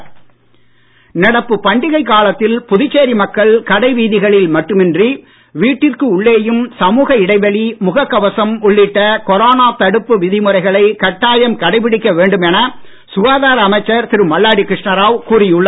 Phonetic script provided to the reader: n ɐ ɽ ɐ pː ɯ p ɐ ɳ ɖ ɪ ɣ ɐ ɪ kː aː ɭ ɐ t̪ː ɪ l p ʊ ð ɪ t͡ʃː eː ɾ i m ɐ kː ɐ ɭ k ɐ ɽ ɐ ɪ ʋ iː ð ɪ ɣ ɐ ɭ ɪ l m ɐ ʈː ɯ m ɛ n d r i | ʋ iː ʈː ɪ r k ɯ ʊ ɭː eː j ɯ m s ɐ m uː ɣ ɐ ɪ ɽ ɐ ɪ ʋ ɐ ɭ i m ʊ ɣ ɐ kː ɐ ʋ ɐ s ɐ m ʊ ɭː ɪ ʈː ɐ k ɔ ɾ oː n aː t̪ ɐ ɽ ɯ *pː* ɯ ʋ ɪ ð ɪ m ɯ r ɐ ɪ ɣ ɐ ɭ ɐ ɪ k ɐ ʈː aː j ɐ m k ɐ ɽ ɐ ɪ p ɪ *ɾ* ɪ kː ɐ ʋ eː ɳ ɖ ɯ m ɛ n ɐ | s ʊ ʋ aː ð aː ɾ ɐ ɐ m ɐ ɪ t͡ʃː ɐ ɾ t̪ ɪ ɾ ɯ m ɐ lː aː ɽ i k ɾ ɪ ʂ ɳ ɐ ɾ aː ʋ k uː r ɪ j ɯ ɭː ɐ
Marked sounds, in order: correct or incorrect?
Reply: correct, incorrect

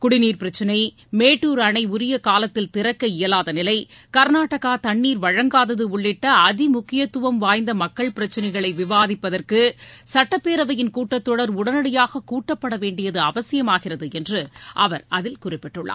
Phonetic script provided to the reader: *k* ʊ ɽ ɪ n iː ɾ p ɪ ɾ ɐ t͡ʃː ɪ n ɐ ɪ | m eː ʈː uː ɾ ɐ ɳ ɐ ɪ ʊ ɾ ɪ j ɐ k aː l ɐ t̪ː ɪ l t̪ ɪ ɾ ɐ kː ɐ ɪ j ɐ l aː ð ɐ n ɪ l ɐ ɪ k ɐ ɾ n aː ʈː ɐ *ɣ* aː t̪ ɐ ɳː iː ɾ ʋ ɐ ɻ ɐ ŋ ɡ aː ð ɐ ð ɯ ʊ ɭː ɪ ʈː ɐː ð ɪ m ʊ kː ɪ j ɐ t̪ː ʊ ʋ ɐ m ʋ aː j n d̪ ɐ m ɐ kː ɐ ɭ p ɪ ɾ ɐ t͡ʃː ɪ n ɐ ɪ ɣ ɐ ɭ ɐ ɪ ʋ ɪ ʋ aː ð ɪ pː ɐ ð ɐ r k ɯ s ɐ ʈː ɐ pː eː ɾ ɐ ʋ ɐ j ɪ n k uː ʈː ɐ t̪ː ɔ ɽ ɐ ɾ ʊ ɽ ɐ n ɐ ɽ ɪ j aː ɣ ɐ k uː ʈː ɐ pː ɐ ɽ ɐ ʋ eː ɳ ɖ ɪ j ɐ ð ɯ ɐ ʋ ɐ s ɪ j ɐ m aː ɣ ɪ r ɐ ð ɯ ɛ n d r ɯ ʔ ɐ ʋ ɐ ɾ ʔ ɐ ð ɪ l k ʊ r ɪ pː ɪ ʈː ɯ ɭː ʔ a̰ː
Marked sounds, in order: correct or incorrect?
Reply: correct, correct

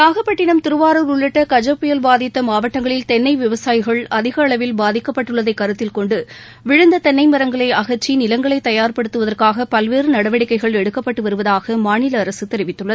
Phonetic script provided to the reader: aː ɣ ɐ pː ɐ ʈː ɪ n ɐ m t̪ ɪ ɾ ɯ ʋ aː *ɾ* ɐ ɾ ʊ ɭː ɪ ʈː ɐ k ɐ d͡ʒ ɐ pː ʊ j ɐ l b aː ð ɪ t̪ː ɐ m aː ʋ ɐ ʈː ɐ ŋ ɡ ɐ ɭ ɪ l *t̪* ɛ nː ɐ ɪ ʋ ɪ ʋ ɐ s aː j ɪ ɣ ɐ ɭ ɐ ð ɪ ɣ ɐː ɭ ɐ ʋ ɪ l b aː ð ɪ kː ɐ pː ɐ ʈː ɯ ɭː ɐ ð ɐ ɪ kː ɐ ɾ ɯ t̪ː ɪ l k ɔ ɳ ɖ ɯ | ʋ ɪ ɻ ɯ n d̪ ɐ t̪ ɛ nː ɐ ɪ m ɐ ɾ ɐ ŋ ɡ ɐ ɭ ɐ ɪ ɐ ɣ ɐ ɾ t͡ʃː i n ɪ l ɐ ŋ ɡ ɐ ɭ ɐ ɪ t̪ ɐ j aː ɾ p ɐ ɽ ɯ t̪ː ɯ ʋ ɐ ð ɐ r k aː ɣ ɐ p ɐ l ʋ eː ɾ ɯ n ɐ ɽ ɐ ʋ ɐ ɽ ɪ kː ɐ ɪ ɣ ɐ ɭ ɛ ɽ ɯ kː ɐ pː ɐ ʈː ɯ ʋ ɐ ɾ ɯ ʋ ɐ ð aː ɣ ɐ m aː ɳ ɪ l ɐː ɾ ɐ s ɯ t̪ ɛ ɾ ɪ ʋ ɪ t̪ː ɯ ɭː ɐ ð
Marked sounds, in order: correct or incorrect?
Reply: correct, correct

